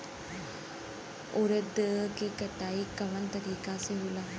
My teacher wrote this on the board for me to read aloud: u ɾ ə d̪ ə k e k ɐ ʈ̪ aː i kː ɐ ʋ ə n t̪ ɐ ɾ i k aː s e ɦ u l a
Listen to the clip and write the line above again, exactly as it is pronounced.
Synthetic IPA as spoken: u ɾ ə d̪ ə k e k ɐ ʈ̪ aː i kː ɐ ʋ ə n t̪ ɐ ɾ iː k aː s e ɦ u l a